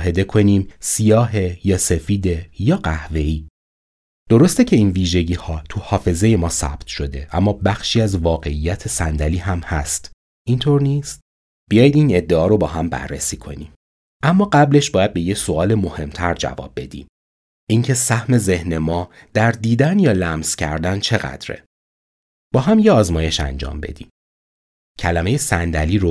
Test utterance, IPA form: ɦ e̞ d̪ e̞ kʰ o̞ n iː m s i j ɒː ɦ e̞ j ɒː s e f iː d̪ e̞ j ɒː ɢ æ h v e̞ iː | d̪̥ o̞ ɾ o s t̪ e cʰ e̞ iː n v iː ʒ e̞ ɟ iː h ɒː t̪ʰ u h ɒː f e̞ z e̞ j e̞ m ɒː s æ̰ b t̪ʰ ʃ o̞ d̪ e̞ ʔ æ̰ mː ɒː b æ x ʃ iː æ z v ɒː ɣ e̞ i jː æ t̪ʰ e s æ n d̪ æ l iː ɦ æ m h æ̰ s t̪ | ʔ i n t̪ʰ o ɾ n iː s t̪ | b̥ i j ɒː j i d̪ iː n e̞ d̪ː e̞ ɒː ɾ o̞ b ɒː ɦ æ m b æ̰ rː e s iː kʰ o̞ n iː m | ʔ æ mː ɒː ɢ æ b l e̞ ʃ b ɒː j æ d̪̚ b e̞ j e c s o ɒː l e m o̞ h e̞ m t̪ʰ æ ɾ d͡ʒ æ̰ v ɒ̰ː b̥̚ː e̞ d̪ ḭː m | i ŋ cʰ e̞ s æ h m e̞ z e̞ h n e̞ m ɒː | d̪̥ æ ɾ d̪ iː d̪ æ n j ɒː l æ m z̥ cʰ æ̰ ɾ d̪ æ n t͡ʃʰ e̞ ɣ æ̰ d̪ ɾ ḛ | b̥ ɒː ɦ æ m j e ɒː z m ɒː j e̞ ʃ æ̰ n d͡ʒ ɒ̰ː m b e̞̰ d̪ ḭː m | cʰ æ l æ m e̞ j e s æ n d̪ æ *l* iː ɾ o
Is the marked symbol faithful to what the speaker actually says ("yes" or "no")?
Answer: yes